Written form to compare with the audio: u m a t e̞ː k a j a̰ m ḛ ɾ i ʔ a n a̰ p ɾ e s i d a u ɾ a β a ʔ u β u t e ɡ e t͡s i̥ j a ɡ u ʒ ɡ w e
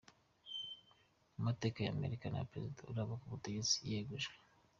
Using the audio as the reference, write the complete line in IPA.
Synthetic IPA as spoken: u m a t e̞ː k a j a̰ m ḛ ɾ i k a n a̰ p ɾ e z i d a u ɾ a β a k u β u t e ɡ e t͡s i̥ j e ɡ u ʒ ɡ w e